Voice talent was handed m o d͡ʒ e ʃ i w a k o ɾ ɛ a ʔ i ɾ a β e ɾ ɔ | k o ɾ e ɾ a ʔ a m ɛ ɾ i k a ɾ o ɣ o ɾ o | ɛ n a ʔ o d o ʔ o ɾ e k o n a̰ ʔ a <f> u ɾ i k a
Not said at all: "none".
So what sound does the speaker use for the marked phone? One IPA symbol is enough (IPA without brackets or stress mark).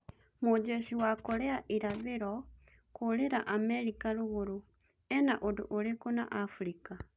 f